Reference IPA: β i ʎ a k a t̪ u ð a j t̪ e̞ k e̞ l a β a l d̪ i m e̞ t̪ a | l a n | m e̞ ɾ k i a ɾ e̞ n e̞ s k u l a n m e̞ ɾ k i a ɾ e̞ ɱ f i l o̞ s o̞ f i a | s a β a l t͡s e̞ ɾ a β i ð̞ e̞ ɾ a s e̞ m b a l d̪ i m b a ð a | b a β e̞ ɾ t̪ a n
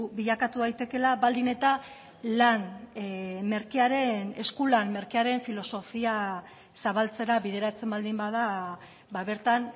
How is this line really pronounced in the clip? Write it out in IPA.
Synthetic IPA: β i ʎ a k a t̪ u ð a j t̪ e̞ k e̞ l a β a l d̪ i n e̞ t̪ a | l a n | m e̞ ɾ k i a ɾ e̞ n e̞ s k u l a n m e̞ ɾ k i a ɾ e̞ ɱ f i l o̞ s o̞ f i a | s a β a l t͡s e̞ ɾ a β i ð̞ e̞ ɾ a t͡s e̞ m b a l d̪ i m b a ð a | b a β e̞ ɾ t̪ a n